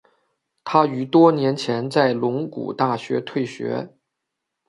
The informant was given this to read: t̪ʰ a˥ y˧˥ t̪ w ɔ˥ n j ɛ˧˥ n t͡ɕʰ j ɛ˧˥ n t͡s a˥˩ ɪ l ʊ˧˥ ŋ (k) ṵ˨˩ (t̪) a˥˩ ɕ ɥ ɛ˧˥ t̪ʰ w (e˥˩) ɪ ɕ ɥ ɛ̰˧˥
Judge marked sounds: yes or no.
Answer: yes, yes, yes

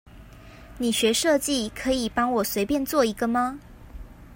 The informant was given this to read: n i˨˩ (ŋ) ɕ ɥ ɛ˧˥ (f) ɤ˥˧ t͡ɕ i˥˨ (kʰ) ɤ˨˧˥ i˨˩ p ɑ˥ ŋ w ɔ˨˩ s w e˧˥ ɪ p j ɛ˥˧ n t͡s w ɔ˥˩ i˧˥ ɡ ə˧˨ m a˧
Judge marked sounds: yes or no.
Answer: no, no, yes

